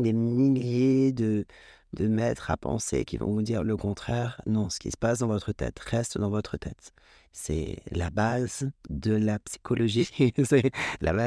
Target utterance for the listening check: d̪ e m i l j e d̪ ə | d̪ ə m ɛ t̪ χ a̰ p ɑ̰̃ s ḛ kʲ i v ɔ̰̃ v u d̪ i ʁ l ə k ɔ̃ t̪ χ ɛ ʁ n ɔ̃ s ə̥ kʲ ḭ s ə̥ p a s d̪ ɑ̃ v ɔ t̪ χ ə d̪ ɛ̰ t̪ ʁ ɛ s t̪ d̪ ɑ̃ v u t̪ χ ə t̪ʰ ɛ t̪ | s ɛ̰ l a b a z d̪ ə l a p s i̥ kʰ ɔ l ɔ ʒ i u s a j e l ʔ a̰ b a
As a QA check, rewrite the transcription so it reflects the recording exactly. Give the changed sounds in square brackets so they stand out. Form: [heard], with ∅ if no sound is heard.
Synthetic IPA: d̪ e m i l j e d̪ ə | d̪ ə m ɛ t̪ χ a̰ p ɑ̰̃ s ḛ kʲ i v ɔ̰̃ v u d̪ i ʁ l ə k ɔ̃ t̪ χ ɛ ʁ n ɔ̃ s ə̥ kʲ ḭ s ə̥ p a s d̪ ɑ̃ v ɔ t̪ χ ə [t̪] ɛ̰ t̪ ʁ ɛ s t̪ d̪ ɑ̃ v [ɔ] t̪ χ ə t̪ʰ ɛ t̪ | s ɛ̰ l a b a z d̪ ə l a p s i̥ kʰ ɔ l ɔ ʒ i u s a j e l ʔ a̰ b a